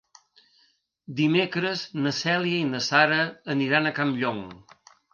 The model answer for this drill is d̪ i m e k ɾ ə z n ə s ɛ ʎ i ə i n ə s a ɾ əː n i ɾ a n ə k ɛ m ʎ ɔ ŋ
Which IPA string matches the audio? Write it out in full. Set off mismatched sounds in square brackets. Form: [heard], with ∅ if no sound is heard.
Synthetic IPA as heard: d̪ i m e k ɾ ə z n ə s ɛ [l] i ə i n ə s a ɾ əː n i ɾ a n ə k [a] m ʎ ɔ ŋ